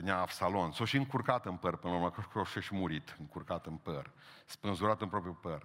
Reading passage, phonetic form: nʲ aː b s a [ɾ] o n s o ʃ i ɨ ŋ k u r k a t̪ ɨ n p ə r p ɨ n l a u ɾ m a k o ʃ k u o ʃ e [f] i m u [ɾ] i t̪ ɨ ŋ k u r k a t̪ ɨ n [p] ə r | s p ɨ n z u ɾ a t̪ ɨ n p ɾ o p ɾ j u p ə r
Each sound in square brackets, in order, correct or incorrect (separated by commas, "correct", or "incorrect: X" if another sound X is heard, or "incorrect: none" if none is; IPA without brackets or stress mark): incorrect: l, incorrect: ʃ, correct, correct